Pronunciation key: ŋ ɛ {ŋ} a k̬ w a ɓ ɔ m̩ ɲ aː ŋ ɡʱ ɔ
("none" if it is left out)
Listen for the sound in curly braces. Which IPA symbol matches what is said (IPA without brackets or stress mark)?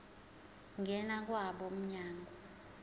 n